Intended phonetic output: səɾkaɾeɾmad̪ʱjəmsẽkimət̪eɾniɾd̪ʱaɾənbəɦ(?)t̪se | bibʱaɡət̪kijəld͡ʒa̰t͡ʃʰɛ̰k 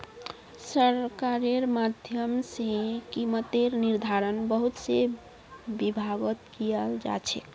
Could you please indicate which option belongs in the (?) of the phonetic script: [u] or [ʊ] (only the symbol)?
u